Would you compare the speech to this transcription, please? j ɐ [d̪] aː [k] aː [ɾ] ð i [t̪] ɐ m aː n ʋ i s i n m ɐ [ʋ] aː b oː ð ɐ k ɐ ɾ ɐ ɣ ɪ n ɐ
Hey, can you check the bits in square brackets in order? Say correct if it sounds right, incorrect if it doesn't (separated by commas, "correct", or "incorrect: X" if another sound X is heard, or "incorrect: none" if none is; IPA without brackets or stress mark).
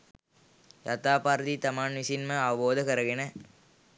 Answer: incorrect: t̪, incorrect: p, correct, correct, incorrect: none